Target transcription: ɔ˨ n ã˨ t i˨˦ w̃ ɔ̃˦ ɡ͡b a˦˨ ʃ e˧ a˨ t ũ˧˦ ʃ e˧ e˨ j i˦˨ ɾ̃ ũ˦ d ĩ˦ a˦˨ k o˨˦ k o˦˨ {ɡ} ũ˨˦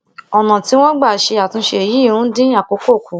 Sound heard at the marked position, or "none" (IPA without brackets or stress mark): k